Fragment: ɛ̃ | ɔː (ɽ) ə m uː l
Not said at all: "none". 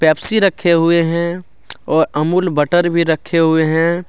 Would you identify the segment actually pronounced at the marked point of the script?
ɾ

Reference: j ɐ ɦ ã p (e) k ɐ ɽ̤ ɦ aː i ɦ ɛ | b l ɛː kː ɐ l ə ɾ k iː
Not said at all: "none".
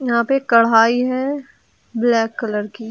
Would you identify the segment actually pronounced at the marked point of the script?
e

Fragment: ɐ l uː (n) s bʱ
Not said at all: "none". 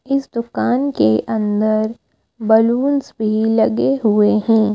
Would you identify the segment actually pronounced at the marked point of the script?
n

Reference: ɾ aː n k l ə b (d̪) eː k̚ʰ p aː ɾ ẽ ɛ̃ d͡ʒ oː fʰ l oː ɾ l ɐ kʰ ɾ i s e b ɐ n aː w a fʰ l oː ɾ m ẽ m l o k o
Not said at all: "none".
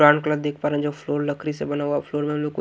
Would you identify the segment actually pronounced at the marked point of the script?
d̪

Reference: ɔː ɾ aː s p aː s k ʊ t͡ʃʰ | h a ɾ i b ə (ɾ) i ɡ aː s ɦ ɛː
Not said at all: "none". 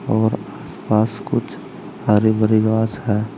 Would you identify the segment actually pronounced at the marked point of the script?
ɾ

